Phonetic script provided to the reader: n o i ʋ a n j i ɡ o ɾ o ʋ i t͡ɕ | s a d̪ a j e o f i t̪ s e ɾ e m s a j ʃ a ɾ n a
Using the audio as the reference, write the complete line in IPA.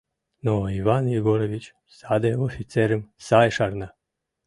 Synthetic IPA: n o i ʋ a n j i ɡ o ɾ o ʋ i t͡ɕ | s a d̪ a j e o f i t̪ s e ɾ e m s a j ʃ a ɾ n a